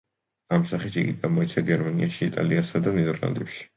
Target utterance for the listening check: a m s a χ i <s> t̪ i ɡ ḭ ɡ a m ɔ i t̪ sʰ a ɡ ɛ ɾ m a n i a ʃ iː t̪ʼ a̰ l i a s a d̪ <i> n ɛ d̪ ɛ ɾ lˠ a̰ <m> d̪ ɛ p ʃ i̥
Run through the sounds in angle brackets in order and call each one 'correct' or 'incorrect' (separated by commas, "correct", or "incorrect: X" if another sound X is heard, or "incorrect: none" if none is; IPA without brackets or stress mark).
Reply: incorrect: none, incorrect: a, incorrect: n